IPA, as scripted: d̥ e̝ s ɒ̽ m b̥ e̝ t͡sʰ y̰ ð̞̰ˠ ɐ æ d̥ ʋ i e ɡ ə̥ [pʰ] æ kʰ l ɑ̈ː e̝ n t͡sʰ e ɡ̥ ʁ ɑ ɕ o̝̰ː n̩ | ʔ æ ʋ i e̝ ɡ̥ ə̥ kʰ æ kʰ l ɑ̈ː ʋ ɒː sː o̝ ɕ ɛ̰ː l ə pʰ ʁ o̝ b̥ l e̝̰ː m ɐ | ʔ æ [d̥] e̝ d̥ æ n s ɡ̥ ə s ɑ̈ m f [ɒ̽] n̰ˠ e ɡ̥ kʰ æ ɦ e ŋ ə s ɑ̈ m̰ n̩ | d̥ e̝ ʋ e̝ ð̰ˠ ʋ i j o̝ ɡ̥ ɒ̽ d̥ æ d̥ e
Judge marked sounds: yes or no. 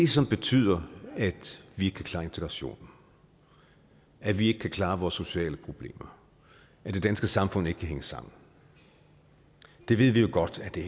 no, yes, no

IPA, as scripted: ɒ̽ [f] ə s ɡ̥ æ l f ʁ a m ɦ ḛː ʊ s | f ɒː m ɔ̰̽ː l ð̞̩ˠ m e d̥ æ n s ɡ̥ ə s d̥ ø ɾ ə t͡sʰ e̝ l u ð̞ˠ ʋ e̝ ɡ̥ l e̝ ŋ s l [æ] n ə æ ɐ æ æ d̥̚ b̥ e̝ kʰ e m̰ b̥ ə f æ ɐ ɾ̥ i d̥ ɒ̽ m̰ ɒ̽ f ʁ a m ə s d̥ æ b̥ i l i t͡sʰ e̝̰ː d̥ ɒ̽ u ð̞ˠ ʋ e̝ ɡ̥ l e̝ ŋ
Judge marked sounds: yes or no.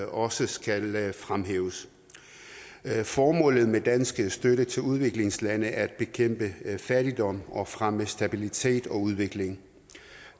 no, yes

